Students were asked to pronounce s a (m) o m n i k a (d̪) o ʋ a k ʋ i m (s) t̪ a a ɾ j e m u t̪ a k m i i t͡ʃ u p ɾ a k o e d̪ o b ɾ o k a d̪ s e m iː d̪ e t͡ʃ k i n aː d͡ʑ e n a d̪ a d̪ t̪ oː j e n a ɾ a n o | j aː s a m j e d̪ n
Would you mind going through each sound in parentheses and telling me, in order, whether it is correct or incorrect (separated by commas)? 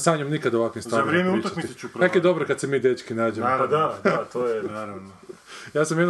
incorrect, correct, correct